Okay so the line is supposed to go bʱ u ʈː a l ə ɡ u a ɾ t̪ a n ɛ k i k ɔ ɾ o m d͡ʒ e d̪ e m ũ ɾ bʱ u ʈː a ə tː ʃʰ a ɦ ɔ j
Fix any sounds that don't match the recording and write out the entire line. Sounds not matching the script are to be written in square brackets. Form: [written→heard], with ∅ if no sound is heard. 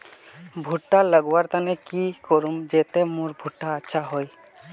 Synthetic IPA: bʱ u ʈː a l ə ɡ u a ɾ t̪ a n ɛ k i k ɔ ɾ [o→u] m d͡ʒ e [d̪→t̪] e m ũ ɾ bʱ u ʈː a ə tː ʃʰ a ɦ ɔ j